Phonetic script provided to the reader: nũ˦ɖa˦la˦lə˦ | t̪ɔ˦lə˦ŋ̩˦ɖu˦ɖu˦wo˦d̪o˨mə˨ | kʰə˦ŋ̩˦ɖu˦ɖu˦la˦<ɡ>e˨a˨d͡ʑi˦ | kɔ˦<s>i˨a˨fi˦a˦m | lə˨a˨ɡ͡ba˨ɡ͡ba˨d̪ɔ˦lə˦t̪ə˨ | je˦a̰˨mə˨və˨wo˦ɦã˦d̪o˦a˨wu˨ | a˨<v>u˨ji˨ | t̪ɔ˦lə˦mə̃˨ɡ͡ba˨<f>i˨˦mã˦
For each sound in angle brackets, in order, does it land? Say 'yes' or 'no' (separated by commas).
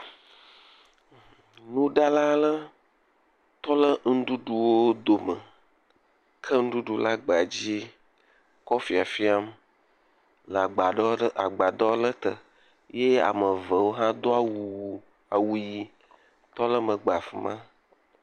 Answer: no, no, no, yes